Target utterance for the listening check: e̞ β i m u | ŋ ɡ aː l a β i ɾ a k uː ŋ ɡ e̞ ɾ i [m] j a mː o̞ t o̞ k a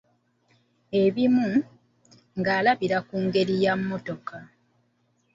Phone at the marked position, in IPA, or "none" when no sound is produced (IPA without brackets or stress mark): none